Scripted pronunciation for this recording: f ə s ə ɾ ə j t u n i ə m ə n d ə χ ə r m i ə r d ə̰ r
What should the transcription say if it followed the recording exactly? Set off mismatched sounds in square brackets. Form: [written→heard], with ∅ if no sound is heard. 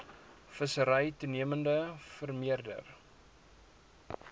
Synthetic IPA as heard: f ə s ə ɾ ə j t u n i ə m ə n d ə [χ→f] ə r m i ə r d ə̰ r